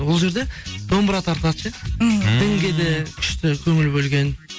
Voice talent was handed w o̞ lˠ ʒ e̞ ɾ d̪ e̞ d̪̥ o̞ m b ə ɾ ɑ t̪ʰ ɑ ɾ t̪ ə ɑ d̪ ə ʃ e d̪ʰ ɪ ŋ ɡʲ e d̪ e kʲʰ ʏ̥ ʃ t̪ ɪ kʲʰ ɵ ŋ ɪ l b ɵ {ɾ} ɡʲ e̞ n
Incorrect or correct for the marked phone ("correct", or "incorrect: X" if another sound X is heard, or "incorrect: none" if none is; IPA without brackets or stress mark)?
incorrect: l